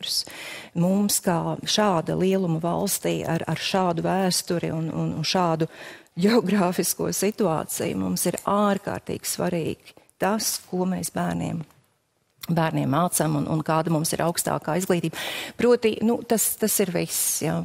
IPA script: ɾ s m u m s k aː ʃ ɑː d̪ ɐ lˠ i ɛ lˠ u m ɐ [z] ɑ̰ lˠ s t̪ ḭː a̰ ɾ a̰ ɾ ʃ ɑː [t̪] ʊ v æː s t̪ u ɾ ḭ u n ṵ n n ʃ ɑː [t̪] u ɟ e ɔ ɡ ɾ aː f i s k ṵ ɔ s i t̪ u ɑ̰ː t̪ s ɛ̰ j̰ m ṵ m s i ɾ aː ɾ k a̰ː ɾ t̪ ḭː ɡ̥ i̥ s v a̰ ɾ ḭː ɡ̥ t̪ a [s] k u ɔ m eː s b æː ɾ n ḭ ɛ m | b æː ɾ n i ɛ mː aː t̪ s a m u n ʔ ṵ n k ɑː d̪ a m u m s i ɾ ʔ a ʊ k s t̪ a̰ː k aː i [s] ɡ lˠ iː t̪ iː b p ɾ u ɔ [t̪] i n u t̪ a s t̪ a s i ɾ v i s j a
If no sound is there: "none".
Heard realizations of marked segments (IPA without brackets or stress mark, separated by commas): v, d̪, d̪, s, z, t̪